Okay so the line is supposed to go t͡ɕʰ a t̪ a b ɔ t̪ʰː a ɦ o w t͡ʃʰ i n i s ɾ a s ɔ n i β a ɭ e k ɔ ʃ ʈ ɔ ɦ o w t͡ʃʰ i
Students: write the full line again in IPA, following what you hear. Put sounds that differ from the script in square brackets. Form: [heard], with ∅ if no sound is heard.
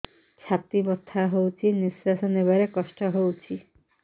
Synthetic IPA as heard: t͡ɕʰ a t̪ [i] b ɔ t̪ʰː a ɦ o w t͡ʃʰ i n i s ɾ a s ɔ n [e] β a [ɾ] e k ɔ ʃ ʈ ɔ ɦ o w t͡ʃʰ i